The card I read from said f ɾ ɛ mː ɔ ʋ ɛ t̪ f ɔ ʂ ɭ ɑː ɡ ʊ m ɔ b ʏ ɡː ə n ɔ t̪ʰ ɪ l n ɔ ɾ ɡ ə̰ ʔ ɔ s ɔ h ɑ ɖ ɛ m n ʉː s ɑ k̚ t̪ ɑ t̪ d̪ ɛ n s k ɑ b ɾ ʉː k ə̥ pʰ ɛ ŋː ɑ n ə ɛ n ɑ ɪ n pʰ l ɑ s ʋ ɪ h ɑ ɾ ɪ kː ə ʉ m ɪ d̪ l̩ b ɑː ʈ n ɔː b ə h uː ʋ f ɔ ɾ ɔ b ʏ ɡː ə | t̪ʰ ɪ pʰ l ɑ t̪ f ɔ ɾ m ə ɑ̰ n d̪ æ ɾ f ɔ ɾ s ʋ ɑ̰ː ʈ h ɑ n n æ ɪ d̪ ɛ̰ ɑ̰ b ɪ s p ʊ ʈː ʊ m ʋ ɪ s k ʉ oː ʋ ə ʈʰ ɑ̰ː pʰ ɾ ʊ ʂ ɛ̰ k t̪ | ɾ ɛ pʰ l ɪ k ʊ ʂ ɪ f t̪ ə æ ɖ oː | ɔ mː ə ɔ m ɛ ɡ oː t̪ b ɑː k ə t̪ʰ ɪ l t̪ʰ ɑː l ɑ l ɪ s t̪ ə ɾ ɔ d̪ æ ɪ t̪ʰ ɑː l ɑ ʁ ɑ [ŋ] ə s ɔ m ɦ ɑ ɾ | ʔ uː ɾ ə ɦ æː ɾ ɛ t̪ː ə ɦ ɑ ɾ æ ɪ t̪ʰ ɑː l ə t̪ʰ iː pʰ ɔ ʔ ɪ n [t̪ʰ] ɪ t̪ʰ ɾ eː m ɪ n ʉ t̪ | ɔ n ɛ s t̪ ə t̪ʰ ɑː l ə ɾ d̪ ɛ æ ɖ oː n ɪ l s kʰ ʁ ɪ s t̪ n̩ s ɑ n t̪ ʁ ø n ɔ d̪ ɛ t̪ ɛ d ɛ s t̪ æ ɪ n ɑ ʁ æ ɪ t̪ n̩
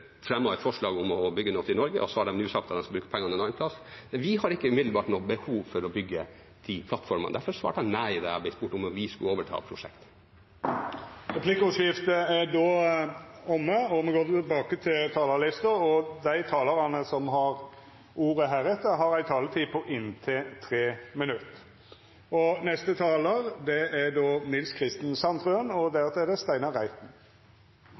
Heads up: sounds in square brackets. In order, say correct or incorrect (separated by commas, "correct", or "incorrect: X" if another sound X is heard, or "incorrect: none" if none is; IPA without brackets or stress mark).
incorrect: n, correct